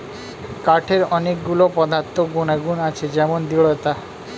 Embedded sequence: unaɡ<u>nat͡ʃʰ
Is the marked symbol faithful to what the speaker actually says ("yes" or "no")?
yes